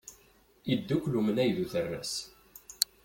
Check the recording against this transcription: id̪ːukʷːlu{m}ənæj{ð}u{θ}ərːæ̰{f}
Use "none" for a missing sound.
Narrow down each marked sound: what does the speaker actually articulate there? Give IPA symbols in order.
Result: m, ð, θ, s

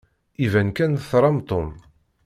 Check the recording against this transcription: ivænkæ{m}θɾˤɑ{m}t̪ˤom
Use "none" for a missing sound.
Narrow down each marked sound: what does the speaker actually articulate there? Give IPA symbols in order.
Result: n, m

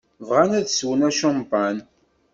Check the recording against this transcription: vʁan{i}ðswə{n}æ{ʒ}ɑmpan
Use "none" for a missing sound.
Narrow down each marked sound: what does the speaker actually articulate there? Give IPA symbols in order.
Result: æ, n, ʃ

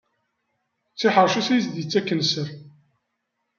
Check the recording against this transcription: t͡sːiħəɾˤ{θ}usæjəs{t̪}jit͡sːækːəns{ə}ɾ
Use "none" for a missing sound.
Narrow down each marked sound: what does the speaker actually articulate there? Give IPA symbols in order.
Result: ʃ, d̪, ə

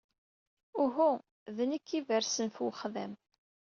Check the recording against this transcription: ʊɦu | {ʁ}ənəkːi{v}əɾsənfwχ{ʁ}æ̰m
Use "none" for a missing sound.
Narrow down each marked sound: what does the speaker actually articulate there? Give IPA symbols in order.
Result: ð, v, ð

